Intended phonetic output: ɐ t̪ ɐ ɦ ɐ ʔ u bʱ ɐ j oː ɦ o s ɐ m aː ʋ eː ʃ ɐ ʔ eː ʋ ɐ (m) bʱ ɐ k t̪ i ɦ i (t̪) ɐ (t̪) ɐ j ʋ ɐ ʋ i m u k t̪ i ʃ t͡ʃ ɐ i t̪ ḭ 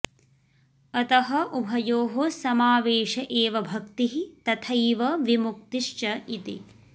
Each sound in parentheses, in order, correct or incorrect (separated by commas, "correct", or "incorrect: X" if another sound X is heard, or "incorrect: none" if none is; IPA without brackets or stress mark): incorrect: none, correct, incorrect: t̪ʰ